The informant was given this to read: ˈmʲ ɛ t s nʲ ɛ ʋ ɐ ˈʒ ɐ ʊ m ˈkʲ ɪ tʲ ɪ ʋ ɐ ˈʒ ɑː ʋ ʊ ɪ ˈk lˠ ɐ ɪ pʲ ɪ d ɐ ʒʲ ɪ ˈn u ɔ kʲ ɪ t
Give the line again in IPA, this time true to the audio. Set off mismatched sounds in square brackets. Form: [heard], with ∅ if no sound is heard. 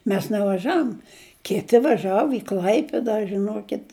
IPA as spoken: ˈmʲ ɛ [∅] s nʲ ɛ ʋ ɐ ˈʒ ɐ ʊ m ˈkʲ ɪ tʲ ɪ ʋ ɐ ˈʒ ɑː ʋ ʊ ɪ ˈk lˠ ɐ ɪ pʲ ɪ d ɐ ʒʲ ɪ ˈn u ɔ kʲ ɪ t